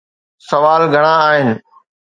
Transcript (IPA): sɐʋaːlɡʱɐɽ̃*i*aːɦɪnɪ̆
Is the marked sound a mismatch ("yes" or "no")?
yes